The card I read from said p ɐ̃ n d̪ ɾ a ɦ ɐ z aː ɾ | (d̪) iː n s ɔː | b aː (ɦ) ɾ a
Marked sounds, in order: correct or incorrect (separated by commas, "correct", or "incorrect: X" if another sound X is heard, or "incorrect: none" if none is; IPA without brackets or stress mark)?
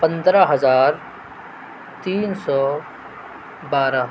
incorrect: t̪, incorrect: none